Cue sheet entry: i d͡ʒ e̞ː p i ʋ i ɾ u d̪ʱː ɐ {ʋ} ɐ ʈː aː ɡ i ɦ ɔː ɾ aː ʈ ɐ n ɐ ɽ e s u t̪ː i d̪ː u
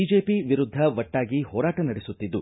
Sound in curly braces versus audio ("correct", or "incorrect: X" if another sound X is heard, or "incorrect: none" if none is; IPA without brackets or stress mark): correct